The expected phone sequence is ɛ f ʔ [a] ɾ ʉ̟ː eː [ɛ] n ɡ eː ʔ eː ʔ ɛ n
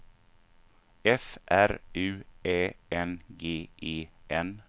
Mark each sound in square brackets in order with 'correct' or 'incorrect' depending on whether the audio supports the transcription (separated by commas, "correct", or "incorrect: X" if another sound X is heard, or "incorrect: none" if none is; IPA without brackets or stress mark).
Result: incorrect: æ, correct